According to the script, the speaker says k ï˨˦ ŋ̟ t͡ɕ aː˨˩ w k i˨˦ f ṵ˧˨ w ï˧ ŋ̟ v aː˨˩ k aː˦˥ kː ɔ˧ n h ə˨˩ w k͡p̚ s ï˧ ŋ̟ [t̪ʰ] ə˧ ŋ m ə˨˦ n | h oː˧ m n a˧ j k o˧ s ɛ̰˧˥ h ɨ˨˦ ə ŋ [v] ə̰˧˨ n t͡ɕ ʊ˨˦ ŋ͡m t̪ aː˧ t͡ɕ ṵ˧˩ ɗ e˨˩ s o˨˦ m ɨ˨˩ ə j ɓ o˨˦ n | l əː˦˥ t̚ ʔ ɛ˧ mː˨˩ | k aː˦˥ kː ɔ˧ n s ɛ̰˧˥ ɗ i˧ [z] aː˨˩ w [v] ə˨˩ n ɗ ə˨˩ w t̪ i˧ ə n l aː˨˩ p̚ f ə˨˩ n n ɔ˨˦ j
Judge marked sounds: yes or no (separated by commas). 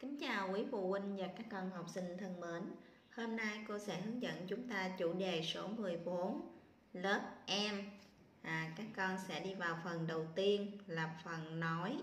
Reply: yes, no, no, no